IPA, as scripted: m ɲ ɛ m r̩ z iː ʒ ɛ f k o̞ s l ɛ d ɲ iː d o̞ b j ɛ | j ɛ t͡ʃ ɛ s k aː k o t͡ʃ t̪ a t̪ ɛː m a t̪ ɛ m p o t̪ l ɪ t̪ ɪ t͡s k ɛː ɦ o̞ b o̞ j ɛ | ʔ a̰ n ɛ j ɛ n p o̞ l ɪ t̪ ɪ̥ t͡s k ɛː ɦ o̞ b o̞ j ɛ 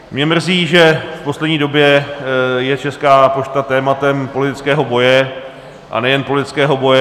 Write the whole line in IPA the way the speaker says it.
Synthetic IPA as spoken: m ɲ ɛ m r̩ z iː ʒ ɛ f p o̞ s l ɛ d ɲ iː d o̞ b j ɛ | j ɛ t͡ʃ ɛ s k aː p o t͡ʃ t̪ a t̪ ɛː m a t̪ ɛ m p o l ɪ t̪ ɪ t͡s k ɛː ɦ o̞ b o̞ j ɛ | ʔ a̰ n ɛ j ɛ n p o̞ l ɪ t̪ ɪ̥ t͡s k ɛː ɦ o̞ b o̞ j ɛ